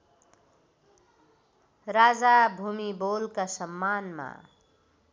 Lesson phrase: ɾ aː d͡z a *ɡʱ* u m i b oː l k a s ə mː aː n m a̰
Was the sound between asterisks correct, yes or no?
no